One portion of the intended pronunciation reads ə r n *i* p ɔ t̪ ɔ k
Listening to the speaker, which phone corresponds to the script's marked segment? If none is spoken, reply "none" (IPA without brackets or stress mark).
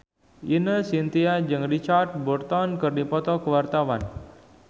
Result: i